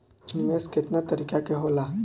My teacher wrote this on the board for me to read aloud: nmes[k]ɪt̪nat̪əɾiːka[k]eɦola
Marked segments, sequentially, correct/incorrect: correct, correct

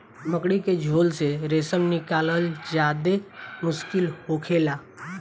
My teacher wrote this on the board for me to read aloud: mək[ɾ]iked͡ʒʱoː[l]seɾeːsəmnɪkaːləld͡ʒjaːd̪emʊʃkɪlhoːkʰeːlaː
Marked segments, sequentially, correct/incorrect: incorrect: ɽ, correct

